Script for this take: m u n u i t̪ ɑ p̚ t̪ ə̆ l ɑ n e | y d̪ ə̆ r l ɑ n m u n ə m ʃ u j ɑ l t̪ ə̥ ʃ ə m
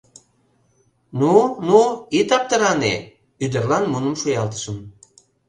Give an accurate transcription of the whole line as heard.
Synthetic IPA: n u n u i t̪ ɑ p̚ t̪ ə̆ ɾ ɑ n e | y d̪ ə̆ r l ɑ n m u n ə m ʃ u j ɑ l t̪ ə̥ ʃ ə m

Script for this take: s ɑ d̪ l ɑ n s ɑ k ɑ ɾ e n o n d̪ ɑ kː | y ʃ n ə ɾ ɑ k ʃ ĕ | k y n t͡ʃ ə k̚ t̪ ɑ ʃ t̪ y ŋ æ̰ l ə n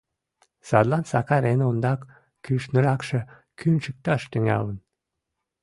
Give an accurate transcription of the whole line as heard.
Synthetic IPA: s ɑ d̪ l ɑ n s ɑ k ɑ ɾ e n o n d̪ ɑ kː | y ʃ n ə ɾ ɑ k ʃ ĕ | k y n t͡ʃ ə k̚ t̪ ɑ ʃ t̪ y ŋ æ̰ l ə n

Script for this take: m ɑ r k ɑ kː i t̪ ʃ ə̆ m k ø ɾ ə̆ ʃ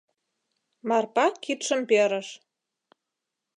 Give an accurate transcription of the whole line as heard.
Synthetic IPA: m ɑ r p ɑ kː i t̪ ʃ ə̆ m p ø ɾ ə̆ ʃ

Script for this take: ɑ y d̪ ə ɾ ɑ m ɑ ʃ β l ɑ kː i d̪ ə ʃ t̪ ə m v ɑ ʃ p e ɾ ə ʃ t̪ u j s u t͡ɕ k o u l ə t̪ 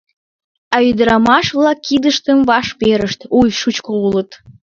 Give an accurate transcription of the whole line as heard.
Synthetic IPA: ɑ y d̪ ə ɾ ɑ m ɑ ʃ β l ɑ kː i d̪ ə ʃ t̪ ə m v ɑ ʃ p e ɾ ə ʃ t̪ u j ʃ u t͡ɕ k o u l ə t̪

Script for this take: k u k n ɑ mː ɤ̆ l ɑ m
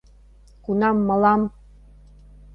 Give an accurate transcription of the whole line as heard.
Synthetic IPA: k u n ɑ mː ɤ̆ l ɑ m

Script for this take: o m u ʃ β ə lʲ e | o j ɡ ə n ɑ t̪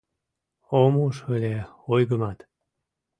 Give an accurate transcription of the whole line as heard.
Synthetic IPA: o m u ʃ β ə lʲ e | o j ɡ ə m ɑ t̪

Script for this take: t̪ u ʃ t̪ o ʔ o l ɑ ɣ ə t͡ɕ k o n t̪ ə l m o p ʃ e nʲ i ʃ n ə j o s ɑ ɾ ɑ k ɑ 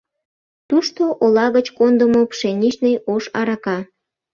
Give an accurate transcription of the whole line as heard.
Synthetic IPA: t̪ u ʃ t̪ o ʔ o l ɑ ɣ ə t͡ɕ k o n d̪ ə m o p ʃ e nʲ i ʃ n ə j o ʃ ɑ ɾ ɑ k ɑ

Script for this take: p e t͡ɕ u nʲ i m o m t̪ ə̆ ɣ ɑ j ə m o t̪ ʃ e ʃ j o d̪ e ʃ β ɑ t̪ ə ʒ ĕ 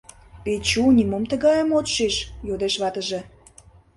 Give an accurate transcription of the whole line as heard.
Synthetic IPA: p e t͡ɕ u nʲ i m o m t̪ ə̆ ɣ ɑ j ə m o t̪ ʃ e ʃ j o d̪ e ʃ β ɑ t̪ ə ʒ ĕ

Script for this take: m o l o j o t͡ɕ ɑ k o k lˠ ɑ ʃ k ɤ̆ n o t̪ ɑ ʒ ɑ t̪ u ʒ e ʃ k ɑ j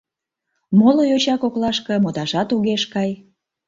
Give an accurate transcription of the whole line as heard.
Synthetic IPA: m o l o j o t͡ɕ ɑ k o k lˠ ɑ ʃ k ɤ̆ m o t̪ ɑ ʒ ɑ t̪ u ɣ e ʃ k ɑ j

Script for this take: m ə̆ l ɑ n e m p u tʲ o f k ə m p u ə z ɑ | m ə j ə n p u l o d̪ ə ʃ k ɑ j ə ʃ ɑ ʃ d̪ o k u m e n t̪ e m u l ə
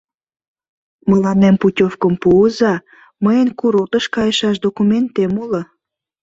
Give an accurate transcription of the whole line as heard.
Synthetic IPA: m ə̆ l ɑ n e m p u tʲ o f k ə m p u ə z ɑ | m ə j ə n k u ɾ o t̪ ə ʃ k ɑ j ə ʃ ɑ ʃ d̪ o k u m e n t̪ e m u l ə

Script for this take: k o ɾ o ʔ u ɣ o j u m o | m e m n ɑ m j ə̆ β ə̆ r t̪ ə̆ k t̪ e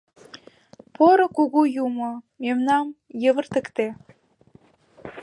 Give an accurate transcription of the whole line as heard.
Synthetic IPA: p o ɾ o k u ɣ u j u m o | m e m n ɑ m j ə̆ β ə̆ r t̪ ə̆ k t̪ e

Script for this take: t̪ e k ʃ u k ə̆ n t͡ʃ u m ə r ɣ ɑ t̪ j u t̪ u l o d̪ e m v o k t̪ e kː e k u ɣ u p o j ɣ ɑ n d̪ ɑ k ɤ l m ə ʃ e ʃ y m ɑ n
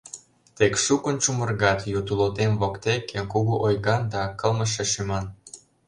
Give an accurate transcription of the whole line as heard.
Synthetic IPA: t̪ e k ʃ u k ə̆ n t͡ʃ u m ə r ɣ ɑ t̪ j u t̪ u l o t̪ e m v o k t̪ e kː e k u ɣ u ʔ o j ɣ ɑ n d̪ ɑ k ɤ l m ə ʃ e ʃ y m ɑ n

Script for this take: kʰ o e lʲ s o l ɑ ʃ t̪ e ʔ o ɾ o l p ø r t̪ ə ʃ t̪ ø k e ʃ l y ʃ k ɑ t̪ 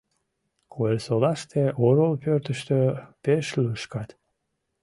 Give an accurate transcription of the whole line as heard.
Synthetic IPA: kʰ o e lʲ s o l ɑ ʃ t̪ e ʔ o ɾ o l p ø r t̪ ə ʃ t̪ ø p e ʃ l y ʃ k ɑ t̪

